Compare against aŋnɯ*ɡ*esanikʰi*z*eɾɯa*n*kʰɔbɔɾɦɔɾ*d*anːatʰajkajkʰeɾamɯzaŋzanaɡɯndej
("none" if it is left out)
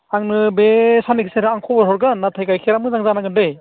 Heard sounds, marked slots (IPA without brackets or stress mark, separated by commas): b, s, ŋ, ɡ